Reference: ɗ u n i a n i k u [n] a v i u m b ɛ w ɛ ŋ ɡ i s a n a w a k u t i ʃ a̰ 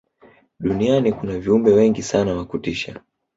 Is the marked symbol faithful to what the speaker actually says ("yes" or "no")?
yes